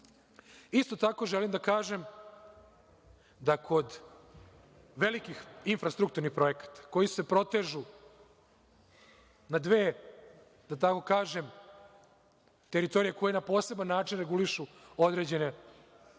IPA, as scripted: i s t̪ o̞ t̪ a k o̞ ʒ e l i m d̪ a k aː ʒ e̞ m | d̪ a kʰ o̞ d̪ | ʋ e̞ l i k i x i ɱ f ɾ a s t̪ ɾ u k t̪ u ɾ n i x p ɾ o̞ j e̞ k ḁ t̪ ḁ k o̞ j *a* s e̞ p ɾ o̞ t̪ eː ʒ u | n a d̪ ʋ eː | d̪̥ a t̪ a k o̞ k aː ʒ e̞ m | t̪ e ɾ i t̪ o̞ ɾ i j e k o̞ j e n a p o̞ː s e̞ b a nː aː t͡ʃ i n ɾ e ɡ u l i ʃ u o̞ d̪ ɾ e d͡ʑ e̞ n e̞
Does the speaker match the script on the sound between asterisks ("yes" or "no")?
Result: no